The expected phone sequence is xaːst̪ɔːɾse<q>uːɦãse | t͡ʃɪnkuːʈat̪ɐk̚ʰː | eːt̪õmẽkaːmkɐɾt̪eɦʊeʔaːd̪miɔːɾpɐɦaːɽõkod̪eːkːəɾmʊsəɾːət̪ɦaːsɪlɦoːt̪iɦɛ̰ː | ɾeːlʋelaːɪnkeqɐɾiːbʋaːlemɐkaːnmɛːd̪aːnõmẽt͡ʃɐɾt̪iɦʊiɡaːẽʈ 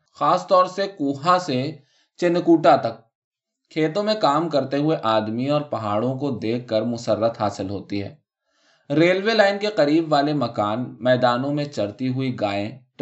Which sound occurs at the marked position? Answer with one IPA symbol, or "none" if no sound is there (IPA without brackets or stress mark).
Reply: k